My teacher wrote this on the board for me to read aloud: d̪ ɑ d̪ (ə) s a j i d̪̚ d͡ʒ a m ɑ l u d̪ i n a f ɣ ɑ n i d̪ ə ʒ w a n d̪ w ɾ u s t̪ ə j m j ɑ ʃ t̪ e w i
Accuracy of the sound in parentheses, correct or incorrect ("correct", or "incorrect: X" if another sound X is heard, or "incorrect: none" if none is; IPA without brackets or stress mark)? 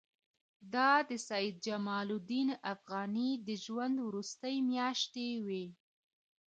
correct